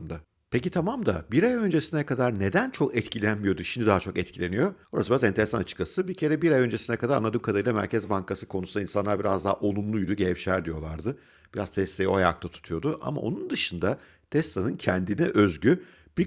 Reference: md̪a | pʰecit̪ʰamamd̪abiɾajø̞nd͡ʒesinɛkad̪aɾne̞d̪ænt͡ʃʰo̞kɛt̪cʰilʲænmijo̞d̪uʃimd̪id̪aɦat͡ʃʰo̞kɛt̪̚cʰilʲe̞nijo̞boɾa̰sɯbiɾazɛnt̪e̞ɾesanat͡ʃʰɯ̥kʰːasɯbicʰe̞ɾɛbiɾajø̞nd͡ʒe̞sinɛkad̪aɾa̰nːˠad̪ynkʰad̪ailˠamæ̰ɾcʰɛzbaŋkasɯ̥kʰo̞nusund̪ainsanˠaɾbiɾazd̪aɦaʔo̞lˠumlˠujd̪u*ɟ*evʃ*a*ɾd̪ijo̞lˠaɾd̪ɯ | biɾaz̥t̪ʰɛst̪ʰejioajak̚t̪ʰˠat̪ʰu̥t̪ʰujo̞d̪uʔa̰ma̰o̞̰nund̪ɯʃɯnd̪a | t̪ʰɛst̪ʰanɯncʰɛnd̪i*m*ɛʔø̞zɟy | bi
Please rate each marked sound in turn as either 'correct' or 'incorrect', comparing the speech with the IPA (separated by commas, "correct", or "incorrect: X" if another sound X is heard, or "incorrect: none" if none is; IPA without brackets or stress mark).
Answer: correct, incorrect: æ, incorrect: n